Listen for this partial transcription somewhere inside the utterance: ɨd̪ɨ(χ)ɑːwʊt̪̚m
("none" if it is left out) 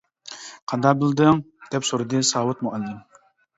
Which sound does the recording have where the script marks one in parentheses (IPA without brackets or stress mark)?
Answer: s